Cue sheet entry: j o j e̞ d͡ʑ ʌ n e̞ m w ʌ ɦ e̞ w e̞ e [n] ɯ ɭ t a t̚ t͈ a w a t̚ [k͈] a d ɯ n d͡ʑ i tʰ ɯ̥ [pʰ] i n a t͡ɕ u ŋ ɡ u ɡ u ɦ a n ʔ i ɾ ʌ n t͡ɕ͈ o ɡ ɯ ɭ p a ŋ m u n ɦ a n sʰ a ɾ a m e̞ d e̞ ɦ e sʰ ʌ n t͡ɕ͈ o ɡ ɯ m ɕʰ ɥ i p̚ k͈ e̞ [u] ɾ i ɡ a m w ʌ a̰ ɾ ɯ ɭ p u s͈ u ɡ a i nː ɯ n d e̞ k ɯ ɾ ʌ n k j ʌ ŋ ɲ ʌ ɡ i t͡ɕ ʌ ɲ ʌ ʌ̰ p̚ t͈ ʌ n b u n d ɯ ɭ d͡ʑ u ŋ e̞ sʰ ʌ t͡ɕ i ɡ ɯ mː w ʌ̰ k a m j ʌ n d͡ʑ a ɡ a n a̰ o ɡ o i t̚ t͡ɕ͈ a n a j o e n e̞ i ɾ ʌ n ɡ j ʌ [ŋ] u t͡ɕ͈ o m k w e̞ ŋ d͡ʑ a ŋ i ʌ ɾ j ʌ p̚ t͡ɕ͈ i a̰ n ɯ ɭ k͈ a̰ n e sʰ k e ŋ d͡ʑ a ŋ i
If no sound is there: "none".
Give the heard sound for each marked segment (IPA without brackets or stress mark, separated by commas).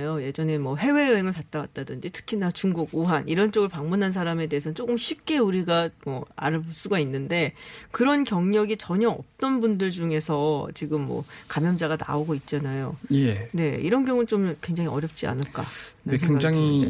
ŋ, t͈, kʰ, u, ŋ